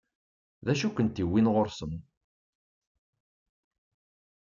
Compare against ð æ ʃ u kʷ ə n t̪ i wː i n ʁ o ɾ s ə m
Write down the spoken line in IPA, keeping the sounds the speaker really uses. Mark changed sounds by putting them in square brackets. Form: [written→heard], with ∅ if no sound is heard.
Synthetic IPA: ð æ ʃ u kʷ ə n t̪ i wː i n ʁ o ɾ s ə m

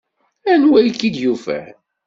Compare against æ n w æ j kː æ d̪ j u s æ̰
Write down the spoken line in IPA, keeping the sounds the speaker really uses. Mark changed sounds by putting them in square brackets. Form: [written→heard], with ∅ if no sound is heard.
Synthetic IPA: æ n w æ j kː [æ→i] d̪ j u [s→f] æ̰

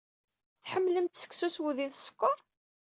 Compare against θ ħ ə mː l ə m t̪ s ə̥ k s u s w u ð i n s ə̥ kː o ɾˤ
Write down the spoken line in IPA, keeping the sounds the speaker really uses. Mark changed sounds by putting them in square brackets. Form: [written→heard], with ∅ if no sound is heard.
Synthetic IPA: θ ħ ə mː l ə m t̪ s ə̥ k s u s w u ð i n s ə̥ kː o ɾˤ

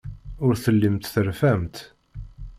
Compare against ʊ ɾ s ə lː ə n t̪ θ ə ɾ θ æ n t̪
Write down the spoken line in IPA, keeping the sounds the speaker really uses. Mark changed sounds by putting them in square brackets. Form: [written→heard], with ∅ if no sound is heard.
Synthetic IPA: ʊ ɾ [s→θ] ə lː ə [n→m] t̪ θ ə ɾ [θ→f] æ [n→m] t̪

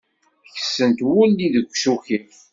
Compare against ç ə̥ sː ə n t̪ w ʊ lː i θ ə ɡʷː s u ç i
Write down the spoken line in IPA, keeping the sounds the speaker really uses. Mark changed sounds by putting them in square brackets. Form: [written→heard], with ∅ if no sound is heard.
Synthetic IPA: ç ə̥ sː ə n t̪ w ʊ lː i [θ→ð] ə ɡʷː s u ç i

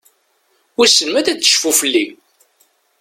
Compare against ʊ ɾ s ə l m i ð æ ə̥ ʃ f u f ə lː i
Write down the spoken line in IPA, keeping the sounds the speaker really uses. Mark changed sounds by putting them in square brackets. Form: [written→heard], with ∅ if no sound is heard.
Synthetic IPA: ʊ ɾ s ə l m [i→æ] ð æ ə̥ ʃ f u f ə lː i

